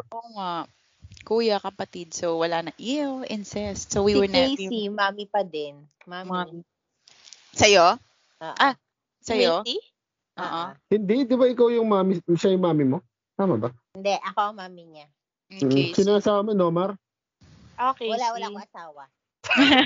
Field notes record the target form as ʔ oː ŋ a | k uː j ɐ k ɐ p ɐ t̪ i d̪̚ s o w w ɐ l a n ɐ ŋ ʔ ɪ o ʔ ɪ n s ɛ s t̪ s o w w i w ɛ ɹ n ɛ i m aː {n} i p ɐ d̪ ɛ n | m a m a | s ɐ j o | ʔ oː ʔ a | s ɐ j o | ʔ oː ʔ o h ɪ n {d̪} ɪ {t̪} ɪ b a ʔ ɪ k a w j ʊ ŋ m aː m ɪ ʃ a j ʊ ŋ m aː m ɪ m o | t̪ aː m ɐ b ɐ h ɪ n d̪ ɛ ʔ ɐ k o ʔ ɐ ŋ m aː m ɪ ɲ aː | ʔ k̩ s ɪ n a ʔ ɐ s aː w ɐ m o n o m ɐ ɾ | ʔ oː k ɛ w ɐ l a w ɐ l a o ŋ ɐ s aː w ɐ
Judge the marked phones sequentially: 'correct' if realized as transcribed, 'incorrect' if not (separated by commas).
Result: incorrect, correct, incorrect